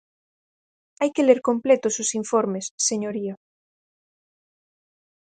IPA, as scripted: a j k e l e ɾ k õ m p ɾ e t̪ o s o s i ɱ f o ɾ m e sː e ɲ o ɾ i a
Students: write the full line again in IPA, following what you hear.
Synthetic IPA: a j k e l e ɾ k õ m p l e t̪ o s o s i ɱ f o ɾ m e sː e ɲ o ɾ i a